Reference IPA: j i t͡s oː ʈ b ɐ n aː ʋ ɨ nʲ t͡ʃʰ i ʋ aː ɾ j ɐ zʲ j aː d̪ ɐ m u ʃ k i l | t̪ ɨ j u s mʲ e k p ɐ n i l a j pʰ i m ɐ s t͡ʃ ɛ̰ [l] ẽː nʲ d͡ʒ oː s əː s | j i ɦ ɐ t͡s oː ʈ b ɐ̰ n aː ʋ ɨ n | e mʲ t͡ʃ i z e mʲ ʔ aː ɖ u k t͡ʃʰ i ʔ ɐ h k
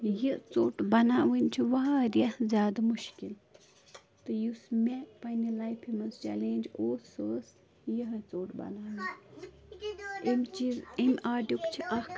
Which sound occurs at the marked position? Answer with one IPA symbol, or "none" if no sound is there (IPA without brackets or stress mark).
l